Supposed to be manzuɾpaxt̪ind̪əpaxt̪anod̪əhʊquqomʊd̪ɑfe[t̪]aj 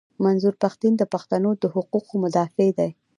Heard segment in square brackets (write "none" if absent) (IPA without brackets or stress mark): d̪